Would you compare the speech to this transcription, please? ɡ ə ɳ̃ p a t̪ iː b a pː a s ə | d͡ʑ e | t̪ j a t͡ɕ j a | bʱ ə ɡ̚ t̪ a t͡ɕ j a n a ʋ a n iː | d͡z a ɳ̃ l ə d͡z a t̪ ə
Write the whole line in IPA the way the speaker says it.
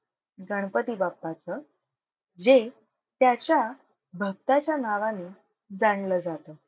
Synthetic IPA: ɡ ə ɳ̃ p ə t̪ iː b a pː a t͡s ə | d͡ʑ e | t̪ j a t͡ɕ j a | bʱ ə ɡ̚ t̪ a t͡ɕ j a n a ʋ a n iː | d͡z a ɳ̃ l ə d͡z a t̪ ə